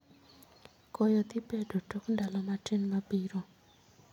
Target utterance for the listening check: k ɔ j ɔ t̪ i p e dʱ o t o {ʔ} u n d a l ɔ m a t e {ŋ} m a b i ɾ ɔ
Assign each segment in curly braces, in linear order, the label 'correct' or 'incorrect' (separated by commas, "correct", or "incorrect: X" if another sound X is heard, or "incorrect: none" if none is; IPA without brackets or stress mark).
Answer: incorrect: k, incorrect: n